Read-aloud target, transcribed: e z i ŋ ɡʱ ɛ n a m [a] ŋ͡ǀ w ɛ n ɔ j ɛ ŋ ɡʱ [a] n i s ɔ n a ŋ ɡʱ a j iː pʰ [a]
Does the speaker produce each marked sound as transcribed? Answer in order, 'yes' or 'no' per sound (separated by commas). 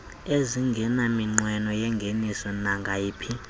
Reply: no, no, no